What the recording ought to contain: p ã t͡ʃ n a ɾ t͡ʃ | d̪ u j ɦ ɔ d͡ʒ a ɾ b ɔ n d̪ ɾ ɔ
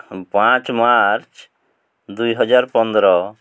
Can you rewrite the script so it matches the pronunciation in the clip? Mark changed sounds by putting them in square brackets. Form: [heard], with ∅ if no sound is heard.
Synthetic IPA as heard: p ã t͡ʃ [m] a ɾ t͡ʃ | d̪ u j ɦ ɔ d͡ʒ a ɾ [p] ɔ n d̪ ɾ ɔ